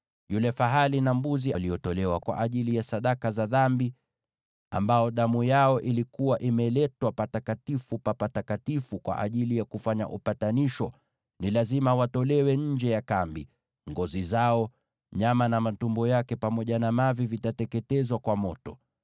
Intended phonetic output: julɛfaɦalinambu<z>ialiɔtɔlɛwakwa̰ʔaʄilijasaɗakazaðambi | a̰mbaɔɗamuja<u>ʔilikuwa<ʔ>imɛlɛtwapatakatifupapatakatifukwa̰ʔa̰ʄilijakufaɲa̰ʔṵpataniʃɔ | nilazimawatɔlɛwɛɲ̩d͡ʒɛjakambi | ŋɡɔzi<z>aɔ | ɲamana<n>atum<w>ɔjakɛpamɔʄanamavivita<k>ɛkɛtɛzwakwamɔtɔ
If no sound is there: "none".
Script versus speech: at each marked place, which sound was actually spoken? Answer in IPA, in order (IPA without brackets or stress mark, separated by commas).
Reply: z, ɔ, ʔ, z, m, b, t